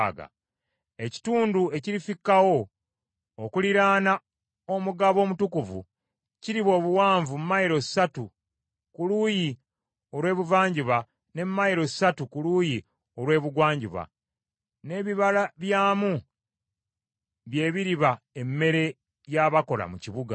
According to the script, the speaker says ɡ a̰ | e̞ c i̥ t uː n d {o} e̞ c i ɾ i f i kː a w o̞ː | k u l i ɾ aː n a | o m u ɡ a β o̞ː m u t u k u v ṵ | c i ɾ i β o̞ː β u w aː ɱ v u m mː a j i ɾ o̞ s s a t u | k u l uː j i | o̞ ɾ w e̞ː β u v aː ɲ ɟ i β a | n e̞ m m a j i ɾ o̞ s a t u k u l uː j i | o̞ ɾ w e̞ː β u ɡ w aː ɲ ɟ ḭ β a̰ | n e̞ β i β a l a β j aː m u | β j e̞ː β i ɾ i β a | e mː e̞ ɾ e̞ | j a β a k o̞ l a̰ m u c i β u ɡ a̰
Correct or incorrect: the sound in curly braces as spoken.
incorrect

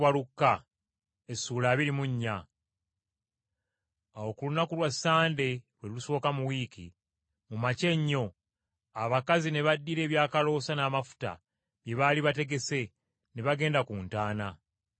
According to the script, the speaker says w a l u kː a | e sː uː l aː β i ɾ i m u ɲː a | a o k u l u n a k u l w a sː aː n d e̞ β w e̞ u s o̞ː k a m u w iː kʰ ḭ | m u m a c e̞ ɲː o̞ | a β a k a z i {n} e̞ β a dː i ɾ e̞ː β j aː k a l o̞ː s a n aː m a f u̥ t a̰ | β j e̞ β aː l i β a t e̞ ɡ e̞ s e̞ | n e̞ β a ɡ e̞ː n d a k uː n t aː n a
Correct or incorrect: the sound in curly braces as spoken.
correct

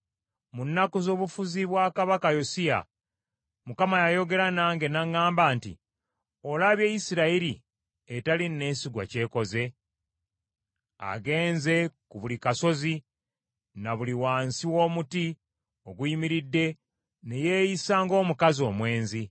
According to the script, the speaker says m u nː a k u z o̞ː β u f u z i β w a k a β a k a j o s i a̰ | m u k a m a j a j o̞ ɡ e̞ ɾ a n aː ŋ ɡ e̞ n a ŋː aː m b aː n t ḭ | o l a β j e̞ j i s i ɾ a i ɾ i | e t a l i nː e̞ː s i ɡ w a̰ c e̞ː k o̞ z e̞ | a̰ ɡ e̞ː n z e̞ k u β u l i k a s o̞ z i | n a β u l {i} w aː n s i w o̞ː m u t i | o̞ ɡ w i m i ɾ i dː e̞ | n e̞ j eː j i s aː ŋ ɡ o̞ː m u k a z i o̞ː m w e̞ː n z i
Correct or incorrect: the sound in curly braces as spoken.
correct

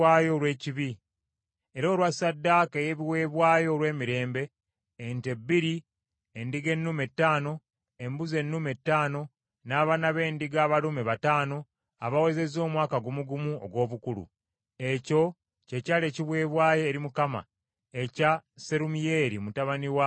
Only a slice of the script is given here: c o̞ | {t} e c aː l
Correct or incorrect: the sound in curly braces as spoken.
incorrect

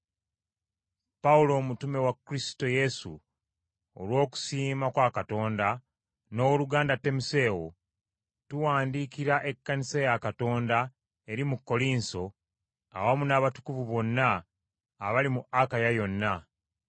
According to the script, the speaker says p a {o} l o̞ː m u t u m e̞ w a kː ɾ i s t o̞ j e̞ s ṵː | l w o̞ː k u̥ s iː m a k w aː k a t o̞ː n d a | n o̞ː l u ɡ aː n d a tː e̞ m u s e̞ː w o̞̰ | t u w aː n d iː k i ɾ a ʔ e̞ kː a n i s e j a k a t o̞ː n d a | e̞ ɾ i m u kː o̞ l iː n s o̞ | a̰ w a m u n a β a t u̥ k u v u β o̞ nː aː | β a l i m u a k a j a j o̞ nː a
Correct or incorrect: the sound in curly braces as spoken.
incorrect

